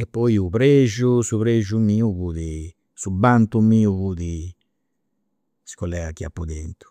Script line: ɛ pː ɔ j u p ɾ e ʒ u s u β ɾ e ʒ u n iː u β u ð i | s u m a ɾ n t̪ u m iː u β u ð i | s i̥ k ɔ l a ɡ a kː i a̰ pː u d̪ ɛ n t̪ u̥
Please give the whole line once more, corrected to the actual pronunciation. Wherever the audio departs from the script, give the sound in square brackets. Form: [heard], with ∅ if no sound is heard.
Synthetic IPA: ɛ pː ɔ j u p ɾ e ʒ u s u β ɾ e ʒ u [m] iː u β u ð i | s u [b] a [∅] n t̪ u m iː u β u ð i | s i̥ k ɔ l [ɛ] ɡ a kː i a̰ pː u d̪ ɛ n t̪ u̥

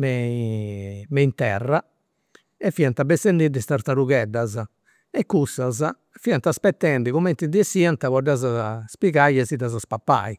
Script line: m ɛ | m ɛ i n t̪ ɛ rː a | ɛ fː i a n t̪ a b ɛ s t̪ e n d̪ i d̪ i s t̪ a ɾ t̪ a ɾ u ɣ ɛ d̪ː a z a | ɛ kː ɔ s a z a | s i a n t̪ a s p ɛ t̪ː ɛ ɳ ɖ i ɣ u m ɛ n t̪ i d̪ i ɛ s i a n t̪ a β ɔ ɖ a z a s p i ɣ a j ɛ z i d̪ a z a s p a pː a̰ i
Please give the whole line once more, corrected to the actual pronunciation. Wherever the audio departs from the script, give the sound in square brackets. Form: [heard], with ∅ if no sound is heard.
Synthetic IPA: m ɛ | m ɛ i n t̪ ɛ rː a | ɛ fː i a n t̪ a b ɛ s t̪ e n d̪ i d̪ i s t̪ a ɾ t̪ a ɾ u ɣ ɛ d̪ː a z a | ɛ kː [u] s a z a | [f] i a n t̪ a s p ɛ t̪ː ɛ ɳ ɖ i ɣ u m ɛ n t̪ i d̪ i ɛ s i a n t̪ a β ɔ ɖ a z a s p i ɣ a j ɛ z i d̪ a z a s p a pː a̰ i

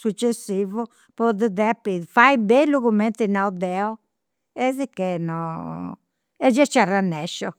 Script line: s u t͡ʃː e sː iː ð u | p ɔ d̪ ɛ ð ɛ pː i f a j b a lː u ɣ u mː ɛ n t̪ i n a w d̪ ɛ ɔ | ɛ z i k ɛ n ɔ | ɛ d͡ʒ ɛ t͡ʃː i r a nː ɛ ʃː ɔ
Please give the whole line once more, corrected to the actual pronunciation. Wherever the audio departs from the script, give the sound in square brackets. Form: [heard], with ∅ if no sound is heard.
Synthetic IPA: s u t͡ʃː e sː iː [v] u | p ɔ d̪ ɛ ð ɛ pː i f a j b [e] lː u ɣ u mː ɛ n t̪ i n a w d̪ ɛ ɔ | ɛ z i k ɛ n ɔ | ɛ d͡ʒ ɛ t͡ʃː [a] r a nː ɛ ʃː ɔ

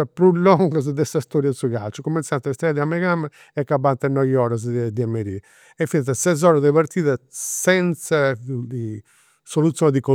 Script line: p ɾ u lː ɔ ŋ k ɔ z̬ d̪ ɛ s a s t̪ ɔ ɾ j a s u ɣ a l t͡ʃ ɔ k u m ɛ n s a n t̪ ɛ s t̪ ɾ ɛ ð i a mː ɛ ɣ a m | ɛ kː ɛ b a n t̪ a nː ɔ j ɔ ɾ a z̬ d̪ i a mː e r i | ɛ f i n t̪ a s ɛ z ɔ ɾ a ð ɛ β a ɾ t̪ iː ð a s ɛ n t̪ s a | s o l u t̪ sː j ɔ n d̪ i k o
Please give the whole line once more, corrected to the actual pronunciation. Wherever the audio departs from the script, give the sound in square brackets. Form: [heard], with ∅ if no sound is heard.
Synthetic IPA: p ɾ u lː ɔ ŋ [ɡ] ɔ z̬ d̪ ɛ s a s t̪ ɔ ɾ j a s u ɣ a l t͡ʃ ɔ k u m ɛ n s a n t̪ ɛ s t̪ ɾ ɛ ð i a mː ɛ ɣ a m | ɛ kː [a] b a n t̪ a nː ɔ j ɔ ɾ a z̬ d̪ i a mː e [ɾ] i | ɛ f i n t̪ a s ɛ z ɔ ɾ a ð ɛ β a ɾ t̪ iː ð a s ɛ n t̪ s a | s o l u t̪ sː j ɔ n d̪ i k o

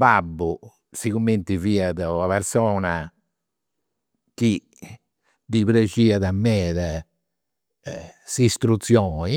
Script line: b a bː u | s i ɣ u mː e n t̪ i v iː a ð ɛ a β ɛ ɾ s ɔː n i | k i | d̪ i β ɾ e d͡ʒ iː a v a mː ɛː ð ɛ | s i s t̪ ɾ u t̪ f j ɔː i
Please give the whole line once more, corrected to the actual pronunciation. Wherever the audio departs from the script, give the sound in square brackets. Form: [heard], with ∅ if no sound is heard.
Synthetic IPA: b a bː u | s i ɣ u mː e n t̪ i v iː a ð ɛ a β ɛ ɾ s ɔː n [a] | k i | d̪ i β ɾ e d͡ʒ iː a [ð] a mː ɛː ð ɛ | s i s t̪ ɾ u t̪ [s] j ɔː i

